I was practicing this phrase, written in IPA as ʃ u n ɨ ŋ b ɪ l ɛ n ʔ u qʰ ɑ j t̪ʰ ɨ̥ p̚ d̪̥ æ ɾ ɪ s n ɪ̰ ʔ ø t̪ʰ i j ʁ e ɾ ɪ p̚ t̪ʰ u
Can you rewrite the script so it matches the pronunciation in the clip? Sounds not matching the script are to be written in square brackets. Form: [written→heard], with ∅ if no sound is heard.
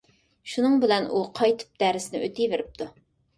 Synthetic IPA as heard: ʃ u n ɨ ŋ b ɪ l ɛ n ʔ u qʰ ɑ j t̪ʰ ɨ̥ p̚ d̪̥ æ ɾ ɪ s n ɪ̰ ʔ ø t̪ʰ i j [ʁ→v] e ɾ ɪ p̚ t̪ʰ u

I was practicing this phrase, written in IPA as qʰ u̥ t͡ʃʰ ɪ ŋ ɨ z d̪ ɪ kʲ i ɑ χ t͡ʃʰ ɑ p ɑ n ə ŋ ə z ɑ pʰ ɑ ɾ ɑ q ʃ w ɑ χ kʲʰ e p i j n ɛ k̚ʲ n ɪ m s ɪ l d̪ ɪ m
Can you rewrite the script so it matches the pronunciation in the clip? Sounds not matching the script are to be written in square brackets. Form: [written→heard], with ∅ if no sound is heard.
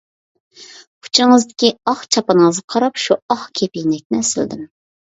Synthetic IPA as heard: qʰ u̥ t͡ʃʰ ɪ ŋ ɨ z d̪ ɪ kʲ i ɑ χ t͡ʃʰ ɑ p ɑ n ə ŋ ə z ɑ [pʰ→qʰ] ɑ ɾ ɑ [q→p] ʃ [w→u] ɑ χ kʲʰ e p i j n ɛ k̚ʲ n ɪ [m→∅] s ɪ l d̪ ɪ m

